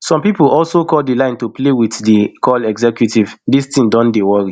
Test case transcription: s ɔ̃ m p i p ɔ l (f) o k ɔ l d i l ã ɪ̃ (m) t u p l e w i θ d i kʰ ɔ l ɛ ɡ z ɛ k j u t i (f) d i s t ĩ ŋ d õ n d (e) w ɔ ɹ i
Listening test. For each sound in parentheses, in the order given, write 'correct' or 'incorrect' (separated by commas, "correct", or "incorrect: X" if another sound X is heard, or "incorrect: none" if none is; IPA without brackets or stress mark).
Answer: incorrect: s, incorrect: n, incorrect: v, correct